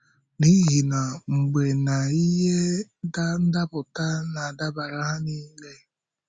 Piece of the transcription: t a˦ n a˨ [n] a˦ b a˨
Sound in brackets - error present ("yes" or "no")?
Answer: yes